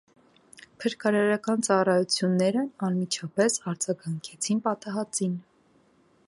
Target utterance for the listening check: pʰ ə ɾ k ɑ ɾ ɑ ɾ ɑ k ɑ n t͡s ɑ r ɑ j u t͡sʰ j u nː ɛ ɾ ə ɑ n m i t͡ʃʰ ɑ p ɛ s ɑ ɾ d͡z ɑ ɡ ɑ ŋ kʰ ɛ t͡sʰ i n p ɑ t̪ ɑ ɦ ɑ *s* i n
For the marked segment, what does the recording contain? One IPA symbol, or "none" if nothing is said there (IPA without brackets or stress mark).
t͡s